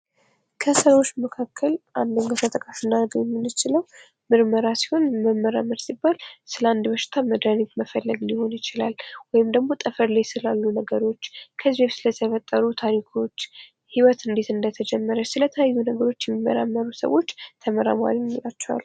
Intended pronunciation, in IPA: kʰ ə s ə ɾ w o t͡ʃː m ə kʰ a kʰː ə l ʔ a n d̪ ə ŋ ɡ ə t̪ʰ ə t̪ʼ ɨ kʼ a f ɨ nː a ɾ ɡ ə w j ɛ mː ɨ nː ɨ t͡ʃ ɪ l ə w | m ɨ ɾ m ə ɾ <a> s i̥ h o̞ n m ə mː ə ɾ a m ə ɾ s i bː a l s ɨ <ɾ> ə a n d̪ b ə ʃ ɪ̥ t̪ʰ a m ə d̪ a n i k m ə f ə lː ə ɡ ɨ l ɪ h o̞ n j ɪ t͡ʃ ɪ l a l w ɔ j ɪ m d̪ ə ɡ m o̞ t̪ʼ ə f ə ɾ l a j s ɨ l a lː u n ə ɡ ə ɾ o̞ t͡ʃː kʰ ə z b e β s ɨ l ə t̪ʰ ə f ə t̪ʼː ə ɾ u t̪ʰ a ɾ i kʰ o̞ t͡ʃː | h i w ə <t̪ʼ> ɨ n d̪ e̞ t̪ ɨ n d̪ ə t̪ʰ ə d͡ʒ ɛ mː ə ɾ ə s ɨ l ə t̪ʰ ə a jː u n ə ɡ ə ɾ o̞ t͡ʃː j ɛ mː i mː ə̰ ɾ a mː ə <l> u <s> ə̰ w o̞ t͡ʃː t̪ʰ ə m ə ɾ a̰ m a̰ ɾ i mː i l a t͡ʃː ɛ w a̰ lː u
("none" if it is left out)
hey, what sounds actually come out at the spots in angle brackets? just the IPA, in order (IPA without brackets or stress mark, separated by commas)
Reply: a, l, t̪, ɾ, s